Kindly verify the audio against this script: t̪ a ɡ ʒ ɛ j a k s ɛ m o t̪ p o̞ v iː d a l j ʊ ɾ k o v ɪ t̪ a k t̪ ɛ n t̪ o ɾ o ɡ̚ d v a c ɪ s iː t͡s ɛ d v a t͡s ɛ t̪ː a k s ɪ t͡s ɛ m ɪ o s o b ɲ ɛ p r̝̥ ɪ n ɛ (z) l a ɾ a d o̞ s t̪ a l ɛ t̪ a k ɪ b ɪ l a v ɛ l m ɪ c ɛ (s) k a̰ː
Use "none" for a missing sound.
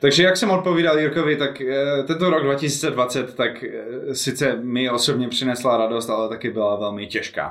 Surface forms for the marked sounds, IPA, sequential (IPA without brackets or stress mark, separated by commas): s, ʃ